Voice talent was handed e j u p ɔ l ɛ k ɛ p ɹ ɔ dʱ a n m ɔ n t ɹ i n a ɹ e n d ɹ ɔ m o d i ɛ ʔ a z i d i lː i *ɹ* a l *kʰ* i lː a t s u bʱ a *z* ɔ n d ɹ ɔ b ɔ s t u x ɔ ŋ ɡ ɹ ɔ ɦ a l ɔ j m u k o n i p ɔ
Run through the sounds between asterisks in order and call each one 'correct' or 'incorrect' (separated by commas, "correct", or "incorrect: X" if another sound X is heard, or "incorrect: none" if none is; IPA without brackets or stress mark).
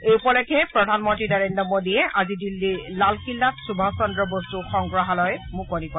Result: incorrect: l, incorrect: k, incorrect: s